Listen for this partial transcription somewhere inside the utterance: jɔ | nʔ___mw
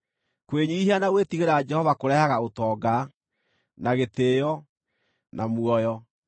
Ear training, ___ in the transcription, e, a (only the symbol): a